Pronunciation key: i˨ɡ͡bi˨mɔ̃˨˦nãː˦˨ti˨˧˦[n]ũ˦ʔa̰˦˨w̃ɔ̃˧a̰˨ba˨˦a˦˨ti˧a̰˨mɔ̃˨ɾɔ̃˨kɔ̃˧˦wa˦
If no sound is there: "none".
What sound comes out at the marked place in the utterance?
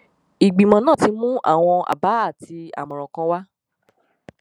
m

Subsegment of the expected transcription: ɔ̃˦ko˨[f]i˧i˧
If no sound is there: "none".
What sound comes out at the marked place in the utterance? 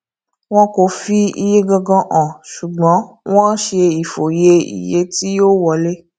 f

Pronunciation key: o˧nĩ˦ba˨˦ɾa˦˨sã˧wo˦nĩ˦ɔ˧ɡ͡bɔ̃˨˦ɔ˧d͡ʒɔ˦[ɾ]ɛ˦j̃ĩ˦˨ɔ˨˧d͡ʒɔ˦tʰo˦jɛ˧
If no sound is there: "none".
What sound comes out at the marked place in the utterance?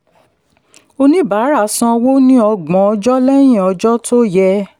l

